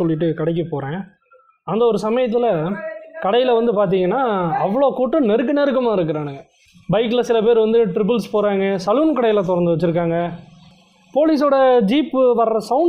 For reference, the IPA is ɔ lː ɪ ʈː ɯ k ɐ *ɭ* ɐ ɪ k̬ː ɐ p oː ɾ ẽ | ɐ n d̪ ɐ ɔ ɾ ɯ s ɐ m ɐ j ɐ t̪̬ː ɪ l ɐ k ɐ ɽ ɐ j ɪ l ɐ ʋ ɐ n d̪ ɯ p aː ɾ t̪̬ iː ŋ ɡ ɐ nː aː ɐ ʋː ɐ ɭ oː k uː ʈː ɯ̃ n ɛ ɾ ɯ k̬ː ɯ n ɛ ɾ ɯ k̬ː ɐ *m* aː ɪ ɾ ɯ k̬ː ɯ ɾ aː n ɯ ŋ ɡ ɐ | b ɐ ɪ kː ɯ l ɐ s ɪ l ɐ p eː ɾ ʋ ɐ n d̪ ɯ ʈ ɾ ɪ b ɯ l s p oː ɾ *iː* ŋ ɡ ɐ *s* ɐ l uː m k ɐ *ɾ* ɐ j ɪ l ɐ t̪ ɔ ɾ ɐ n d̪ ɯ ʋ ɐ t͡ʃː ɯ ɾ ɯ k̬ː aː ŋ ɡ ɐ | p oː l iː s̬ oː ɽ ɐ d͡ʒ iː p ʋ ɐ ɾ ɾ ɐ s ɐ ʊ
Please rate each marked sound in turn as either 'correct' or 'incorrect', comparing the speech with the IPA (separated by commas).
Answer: incorrect, correct, incorrect, correct, incorrect